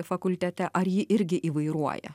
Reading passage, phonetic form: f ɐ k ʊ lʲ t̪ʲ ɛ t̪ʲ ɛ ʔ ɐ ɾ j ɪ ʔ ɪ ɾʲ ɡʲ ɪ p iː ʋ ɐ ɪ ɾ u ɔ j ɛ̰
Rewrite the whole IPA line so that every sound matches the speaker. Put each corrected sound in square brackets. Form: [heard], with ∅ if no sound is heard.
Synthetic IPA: f ɐ k ʊ lʲ t̪ʲ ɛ t̪ʲ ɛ ʔ ɐ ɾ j ɪ ʔ ɪ ɾʲ ɡʲ ɪ [ʔ] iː ʋ ɐ ɪ ɾ u ɔ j ɛ̰